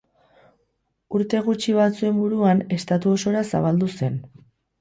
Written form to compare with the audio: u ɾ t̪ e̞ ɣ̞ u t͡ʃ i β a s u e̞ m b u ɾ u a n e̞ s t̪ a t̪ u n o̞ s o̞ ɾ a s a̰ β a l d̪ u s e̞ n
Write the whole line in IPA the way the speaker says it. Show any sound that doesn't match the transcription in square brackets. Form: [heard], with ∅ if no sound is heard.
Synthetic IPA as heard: u ɾ t̪ e̞ ɣ̞ u t͡ʃ i β a [t͡s] u e̞ m b u ɾ u a n e̞ s t̪ a t̪ u [∅] o̞ s o̞ ɾ a s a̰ β a l d̪ u s e̞ n